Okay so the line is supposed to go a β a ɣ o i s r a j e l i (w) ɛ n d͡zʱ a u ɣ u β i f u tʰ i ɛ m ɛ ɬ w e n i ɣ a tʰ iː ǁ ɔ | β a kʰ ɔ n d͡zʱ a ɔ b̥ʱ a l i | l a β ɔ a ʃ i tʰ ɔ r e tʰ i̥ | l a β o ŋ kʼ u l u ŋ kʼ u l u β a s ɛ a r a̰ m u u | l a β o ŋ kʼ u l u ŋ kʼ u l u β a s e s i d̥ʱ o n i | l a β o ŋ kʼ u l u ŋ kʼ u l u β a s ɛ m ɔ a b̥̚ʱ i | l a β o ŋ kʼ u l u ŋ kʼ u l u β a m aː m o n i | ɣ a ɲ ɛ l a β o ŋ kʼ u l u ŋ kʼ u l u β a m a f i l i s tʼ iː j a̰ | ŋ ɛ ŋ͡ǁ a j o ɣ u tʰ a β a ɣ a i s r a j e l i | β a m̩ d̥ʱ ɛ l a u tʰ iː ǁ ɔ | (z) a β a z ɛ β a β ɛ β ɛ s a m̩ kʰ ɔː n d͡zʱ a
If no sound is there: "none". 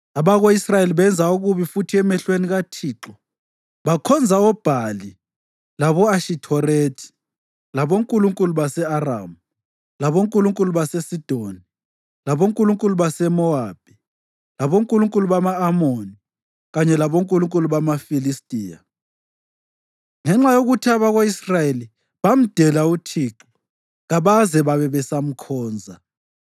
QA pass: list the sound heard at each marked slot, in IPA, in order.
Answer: β, ɣ

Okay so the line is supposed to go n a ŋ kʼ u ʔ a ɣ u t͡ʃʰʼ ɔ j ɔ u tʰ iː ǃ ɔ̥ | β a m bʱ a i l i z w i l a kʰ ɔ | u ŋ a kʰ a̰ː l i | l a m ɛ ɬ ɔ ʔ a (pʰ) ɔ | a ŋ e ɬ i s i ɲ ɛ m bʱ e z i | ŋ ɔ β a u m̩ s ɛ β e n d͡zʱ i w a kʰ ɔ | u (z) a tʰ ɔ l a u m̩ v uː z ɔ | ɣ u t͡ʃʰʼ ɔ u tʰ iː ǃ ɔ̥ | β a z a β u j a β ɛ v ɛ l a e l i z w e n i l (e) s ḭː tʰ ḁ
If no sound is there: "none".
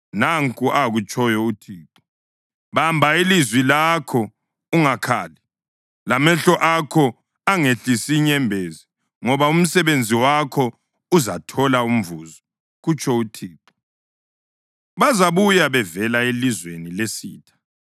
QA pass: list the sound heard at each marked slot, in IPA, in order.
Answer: kʰ, z, e

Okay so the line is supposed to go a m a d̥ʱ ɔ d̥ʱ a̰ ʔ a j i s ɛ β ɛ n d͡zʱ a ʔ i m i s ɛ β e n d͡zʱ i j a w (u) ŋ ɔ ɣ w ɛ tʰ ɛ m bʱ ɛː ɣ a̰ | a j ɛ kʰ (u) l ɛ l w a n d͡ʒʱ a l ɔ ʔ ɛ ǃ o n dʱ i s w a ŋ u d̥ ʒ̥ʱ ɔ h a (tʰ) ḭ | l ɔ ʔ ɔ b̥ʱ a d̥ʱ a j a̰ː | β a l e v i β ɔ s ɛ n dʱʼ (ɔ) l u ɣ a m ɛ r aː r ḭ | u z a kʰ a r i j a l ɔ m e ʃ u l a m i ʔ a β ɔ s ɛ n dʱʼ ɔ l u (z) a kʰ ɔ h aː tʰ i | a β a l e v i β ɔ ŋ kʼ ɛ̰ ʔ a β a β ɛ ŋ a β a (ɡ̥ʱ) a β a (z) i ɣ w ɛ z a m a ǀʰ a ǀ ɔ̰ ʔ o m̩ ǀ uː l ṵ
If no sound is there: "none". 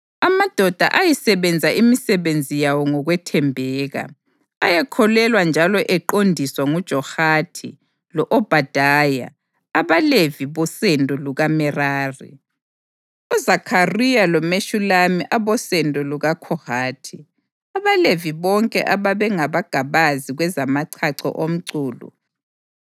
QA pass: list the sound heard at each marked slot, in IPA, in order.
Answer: ɔ, ɔ, tʰ, ɔ, ɣ, ɡ̥ʱ, z

